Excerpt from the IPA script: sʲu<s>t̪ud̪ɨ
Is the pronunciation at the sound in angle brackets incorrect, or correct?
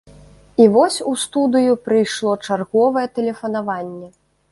correct